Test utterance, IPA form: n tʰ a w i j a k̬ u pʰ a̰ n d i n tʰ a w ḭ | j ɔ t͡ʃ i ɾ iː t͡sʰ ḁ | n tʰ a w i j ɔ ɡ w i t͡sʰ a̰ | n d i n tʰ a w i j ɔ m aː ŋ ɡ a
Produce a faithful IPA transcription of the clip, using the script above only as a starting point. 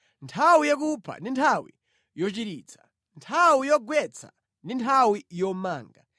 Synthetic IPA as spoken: n tʰ a w i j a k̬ u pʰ a̰ n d i n tʰ a w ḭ | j ɔ t͡ʃ i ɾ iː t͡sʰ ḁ | n tʰ a w i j ɔ ɡ w ɛ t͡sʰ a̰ | n d i n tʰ a w i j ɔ m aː ŋ ɡ a